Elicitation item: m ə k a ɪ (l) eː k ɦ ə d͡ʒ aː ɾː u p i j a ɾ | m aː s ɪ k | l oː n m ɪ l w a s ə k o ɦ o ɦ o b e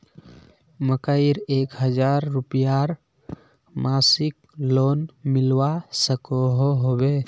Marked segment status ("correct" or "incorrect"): incorrect